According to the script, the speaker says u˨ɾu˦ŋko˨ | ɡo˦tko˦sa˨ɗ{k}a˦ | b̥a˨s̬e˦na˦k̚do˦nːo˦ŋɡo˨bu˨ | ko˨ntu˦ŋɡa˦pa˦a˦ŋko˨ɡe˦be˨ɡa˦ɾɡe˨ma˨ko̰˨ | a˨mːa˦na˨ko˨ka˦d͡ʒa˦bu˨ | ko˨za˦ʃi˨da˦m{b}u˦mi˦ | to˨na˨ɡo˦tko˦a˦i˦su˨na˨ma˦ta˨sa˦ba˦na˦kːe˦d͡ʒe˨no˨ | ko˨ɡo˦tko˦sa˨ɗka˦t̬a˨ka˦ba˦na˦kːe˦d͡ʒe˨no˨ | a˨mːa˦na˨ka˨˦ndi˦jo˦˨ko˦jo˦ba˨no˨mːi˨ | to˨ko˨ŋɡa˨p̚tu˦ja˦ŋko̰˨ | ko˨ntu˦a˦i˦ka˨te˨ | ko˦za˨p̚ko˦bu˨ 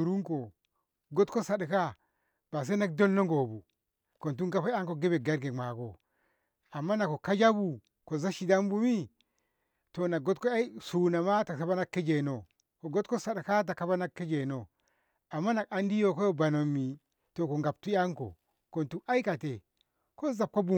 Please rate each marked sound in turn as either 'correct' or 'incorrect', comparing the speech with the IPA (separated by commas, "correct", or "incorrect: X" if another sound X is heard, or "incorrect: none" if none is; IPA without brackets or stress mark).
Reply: correct, correct